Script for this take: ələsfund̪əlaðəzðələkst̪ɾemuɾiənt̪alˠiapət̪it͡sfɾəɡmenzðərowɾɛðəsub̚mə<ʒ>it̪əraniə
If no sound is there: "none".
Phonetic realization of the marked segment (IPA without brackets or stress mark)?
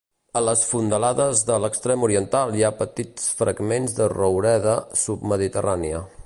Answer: ð